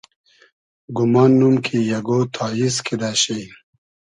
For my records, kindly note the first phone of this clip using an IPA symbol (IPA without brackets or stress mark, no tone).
ɡ